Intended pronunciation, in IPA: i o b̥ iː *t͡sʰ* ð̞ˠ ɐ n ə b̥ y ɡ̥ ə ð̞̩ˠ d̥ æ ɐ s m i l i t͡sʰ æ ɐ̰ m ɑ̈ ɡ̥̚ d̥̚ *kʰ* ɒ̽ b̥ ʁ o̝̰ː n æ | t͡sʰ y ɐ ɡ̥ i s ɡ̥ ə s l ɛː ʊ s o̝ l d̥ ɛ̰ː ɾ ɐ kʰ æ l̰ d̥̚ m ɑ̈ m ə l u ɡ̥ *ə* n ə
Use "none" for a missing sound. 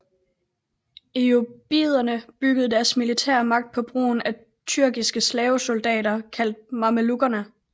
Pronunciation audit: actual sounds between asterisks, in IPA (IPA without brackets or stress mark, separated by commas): none, pʰ, ɐ